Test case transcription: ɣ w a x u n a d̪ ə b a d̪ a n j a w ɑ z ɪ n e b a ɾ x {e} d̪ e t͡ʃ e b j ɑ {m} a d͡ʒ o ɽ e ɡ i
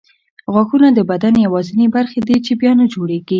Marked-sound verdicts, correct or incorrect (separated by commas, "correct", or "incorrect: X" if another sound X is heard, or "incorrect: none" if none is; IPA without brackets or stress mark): correct, incorrect: n